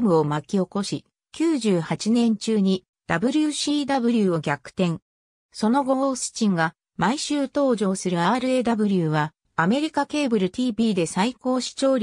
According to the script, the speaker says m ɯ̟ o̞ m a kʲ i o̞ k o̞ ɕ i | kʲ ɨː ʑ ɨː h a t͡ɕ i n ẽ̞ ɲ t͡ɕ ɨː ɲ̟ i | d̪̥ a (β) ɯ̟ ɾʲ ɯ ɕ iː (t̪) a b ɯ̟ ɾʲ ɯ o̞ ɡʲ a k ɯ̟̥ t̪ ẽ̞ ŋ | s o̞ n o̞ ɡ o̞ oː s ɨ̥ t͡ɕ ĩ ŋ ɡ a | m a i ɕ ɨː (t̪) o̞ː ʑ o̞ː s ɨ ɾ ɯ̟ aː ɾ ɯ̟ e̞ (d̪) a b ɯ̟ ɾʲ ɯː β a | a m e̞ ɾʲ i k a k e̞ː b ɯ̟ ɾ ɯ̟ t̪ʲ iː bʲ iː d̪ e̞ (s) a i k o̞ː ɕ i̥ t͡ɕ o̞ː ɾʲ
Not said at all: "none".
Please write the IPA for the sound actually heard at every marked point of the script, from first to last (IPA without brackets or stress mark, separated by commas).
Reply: b, d̪, t̪, d̪, s